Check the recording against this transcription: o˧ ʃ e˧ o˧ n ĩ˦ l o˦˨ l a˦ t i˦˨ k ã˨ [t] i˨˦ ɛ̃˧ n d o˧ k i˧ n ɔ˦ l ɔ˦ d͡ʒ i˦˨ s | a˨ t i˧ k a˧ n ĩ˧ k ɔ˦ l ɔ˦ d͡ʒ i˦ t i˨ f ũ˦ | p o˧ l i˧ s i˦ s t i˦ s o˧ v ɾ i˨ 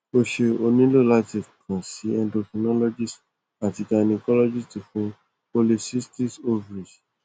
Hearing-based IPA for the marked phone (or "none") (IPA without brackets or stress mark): s